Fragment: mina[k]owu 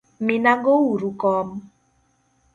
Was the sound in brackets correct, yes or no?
no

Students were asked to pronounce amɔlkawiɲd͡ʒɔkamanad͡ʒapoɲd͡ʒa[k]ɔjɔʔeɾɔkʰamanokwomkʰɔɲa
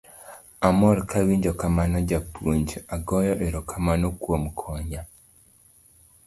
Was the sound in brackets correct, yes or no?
no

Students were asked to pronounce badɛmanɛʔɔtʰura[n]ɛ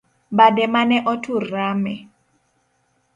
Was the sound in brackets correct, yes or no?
no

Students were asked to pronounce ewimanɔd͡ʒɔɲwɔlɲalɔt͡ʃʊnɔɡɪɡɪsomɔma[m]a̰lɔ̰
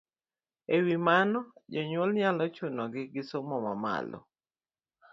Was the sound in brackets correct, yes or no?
yes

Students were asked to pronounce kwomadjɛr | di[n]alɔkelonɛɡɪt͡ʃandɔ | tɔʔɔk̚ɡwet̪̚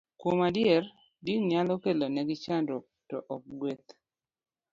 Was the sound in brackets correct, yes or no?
no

